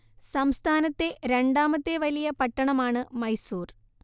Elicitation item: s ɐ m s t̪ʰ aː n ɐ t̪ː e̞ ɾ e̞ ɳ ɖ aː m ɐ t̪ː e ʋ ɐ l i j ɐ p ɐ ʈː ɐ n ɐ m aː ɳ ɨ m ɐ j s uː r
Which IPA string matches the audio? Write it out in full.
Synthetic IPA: s ɐ m s t̪ʰ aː n ɐ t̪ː e̞ ɾ e̞ ɳ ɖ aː m ɐ t̪ː e ʋ ɐ l i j ɐ p ɐ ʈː ɐ ɳ ɐ m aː ɳ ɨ m ɐ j s uː r